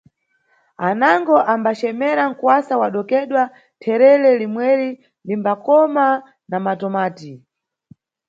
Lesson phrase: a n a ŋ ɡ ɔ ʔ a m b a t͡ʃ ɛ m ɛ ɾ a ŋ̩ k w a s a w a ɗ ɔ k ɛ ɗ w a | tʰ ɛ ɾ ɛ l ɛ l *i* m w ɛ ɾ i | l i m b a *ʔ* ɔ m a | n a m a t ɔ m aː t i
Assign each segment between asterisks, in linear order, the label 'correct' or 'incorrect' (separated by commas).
correct, incorrect